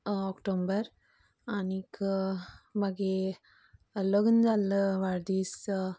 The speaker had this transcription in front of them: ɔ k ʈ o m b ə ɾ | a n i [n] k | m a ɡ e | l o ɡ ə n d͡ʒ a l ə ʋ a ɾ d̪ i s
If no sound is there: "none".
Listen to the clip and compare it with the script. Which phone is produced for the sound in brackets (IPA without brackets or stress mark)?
none